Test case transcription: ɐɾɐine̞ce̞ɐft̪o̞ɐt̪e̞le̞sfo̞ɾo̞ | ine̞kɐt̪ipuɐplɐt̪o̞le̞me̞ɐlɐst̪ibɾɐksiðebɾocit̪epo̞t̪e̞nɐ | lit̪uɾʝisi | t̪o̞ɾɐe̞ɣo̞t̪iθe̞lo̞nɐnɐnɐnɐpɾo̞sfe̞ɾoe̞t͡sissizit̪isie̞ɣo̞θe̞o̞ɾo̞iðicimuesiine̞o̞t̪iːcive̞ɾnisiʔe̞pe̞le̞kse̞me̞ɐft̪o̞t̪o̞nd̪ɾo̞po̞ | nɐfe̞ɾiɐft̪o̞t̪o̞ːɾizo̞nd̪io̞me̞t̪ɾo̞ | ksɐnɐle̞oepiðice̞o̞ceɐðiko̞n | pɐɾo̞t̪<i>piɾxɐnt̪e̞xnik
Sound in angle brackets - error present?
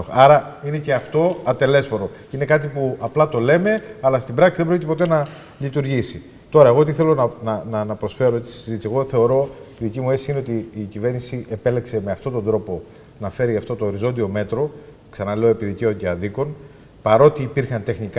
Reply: yes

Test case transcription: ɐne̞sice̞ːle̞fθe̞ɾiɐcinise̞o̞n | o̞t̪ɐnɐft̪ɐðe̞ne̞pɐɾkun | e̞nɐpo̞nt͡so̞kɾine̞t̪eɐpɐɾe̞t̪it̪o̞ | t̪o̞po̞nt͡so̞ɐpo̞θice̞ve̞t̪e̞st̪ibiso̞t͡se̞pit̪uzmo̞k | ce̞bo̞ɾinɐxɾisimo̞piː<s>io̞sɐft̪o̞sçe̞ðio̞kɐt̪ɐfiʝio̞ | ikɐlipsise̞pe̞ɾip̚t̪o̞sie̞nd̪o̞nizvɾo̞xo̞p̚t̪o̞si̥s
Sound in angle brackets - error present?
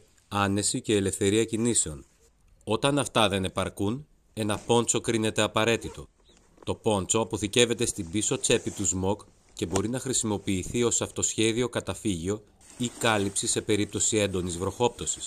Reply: yes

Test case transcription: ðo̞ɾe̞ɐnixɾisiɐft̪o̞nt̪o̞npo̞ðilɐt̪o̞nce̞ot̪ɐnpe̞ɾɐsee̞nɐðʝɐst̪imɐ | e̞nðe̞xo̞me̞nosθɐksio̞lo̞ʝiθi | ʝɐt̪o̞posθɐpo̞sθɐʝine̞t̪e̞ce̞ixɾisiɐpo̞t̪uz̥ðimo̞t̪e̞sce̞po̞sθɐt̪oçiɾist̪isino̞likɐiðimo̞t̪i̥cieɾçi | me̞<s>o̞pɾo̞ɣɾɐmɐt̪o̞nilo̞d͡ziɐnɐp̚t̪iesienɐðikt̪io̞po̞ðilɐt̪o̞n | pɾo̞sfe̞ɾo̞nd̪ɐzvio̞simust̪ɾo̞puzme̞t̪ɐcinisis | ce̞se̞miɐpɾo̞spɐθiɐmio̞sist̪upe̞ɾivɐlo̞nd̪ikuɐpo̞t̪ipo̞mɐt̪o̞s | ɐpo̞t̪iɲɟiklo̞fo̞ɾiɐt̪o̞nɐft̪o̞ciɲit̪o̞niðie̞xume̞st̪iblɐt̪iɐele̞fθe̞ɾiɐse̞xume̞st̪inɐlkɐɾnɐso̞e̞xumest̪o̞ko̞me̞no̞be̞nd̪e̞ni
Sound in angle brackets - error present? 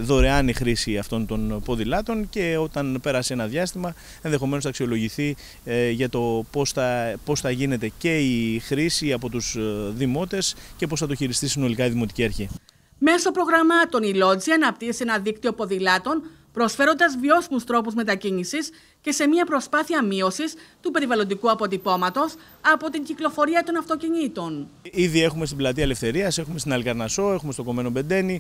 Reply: no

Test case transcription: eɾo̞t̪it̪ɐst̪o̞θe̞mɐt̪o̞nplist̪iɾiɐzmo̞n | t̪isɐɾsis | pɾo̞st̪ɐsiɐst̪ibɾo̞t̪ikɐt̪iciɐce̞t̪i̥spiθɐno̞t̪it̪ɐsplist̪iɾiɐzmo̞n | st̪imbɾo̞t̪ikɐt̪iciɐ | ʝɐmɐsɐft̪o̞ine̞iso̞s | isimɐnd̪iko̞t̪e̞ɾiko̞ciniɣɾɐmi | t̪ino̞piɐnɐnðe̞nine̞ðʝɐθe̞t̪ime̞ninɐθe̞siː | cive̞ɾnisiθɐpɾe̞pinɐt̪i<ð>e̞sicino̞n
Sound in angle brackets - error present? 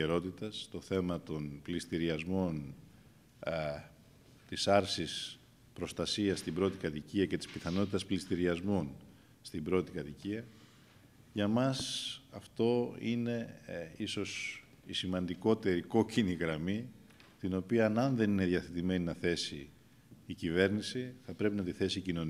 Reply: yes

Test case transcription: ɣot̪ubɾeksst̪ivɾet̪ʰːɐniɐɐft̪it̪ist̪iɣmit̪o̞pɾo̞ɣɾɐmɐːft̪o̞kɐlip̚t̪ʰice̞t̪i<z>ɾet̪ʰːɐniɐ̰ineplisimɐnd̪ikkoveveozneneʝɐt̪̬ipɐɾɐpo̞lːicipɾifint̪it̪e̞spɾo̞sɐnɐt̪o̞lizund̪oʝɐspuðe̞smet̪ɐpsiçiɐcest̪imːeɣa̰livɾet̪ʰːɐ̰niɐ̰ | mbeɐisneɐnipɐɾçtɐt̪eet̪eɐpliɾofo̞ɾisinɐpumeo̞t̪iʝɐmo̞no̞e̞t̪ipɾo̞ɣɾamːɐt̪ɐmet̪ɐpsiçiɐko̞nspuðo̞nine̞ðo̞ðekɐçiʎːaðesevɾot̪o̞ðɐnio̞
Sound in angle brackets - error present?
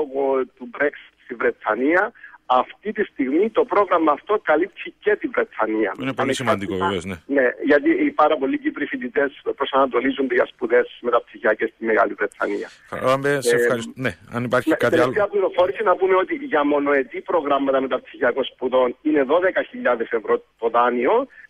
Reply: yes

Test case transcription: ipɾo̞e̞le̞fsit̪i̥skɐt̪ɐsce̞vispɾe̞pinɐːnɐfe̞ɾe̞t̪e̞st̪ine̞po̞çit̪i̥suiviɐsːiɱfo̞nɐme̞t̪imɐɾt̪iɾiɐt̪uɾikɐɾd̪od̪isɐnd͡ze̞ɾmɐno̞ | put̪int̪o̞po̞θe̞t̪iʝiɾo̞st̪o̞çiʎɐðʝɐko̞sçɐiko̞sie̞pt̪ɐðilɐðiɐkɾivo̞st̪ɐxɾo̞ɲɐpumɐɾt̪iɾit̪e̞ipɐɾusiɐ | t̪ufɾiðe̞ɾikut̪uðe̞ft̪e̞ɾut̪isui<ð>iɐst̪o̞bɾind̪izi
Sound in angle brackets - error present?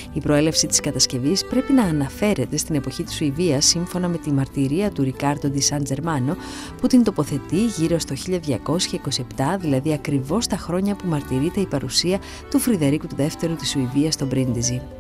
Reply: yes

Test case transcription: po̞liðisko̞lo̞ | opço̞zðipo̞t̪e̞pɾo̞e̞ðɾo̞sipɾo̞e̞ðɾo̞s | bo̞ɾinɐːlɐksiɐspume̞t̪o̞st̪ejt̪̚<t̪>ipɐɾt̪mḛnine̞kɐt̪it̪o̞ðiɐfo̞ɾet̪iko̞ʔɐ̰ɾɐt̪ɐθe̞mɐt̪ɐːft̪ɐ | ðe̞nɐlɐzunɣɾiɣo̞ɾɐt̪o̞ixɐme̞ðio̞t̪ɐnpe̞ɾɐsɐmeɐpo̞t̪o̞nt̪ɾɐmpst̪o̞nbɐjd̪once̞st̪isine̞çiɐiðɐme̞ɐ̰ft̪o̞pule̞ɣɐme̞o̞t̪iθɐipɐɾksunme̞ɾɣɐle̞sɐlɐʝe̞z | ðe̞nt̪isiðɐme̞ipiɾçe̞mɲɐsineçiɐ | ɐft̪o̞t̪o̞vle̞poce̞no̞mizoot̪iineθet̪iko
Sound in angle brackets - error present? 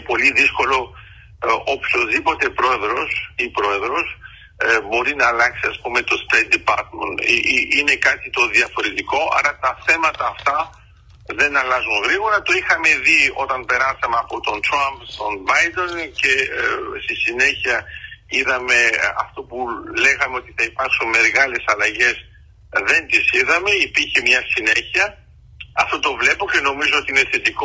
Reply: yes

